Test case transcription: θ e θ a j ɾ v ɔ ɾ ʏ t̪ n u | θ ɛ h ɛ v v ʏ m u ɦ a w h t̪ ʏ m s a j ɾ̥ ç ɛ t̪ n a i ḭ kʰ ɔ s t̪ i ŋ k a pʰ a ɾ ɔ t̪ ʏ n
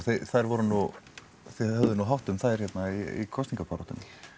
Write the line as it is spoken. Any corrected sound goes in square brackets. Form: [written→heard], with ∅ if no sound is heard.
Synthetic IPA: θ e θ a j ɾ v ɔ ɾ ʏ [t̪→∅] n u | θ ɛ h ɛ v [v→ð] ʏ [m→n] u ɦ a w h t̪ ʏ m [s→θ] a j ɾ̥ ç ɛ t̪ n a i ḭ kʰ ɔ s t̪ i ŋ k a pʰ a ɾ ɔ t̪ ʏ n